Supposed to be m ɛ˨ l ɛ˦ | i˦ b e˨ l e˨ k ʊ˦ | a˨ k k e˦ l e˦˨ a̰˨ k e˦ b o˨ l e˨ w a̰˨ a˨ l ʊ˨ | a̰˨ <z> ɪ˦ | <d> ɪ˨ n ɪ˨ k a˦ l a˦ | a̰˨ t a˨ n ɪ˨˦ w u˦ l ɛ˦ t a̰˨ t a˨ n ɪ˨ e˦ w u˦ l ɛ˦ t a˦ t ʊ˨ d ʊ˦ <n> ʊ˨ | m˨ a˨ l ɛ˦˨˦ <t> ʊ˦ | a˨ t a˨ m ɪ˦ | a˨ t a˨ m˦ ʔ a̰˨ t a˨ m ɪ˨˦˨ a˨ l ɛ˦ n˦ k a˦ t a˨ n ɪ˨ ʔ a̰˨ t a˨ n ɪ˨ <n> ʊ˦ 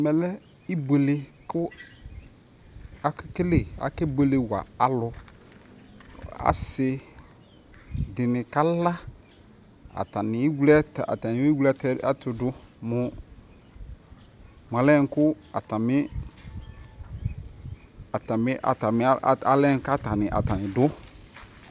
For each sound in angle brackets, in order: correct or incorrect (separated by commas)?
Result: incorrect, correct, incorrect, incorrect, incorrect